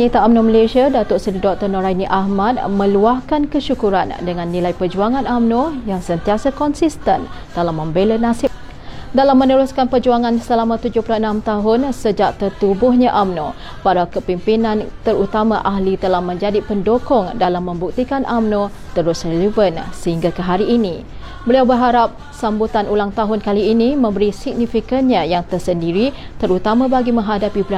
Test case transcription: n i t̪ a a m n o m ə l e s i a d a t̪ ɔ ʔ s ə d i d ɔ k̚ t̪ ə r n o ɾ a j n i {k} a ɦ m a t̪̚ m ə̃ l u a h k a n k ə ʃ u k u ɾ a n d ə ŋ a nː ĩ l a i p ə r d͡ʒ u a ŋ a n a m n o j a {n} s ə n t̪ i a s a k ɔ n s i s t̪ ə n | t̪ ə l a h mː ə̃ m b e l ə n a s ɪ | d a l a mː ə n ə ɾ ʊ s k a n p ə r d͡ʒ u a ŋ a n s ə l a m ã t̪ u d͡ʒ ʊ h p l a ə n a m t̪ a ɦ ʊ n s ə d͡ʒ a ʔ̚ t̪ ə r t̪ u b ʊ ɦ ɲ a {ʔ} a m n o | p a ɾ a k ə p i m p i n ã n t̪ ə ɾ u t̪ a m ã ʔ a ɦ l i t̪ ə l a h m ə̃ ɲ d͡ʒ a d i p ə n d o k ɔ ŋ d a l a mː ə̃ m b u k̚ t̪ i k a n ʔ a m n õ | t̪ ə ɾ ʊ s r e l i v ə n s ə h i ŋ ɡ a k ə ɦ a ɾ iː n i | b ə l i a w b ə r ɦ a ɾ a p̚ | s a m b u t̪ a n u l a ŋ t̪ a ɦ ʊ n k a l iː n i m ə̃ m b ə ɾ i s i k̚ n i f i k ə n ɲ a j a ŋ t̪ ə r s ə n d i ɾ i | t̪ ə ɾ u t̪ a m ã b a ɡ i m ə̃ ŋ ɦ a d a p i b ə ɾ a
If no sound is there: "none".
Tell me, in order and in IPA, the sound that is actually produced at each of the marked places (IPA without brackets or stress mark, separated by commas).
ʔ, ŋ, ʔ